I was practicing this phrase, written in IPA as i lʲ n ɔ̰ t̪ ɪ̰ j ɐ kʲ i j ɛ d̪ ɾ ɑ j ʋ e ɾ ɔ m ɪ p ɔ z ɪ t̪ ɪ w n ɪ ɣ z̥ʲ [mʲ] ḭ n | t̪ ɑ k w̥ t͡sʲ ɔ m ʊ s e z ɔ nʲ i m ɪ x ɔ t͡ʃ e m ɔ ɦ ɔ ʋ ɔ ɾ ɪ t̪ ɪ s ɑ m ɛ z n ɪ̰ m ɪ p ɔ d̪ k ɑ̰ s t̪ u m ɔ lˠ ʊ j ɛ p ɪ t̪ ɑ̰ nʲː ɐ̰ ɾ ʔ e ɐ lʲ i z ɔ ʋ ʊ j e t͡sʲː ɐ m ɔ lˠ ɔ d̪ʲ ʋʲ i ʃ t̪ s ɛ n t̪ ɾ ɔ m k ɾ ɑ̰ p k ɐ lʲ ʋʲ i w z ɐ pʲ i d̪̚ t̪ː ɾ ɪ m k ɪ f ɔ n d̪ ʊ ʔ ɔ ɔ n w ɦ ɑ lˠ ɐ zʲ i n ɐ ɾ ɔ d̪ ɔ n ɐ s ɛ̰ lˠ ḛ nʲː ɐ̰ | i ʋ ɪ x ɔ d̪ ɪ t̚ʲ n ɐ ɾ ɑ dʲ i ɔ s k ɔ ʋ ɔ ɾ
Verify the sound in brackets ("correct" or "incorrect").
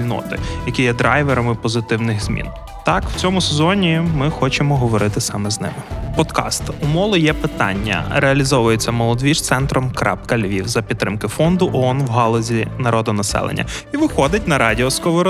correct